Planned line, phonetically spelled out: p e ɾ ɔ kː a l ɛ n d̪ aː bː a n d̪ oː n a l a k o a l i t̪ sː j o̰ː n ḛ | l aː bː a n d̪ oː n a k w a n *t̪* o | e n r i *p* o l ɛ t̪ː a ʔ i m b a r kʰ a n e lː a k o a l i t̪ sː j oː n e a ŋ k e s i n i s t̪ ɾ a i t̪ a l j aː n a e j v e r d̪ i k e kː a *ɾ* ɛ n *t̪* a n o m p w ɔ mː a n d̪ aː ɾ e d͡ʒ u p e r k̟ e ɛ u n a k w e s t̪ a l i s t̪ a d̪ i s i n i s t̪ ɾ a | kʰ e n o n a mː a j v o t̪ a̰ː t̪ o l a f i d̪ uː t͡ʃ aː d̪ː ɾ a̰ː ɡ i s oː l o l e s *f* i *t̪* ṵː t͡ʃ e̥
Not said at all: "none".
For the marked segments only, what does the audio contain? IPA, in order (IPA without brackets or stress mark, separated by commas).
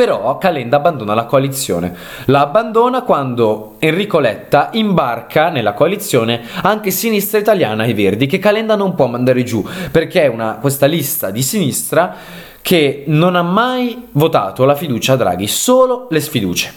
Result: d̪, k, l, d̪, f, d̪